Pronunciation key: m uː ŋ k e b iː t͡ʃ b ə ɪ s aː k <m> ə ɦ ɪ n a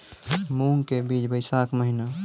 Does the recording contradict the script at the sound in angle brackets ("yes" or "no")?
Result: no